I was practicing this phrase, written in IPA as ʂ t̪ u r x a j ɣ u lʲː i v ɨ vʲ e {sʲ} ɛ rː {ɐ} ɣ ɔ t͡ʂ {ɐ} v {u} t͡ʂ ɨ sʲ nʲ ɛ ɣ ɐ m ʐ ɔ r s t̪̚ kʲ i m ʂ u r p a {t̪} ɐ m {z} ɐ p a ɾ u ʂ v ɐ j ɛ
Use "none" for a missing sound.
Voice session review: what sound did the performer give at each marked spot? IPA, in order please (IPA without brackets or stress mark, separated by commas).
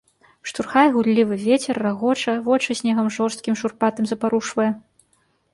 t͡sʲ, a, ɐ, ɔ, t̪, z